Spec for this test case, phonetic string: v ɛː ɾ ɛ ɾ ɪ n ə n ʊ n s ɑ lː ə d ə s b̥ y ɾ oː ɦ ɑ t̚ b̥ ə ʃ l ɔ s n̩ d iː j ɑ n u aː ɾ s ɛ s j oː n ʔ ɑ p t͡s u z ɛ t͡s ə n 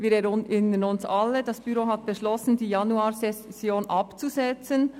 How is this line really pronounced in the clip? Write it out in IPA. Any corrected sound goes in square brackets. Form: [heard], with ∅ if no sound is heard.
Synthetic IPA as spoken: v [iː] ɾ ɛ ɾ ɪ n ə n ʊ n s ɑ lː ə d [ɑ] s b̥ y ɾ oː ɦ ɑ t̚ b̥ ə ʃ l ɔ s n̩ d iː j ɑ n u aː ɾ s ɛ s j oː n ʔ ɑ p t͡s u z ɛ t͡s ə n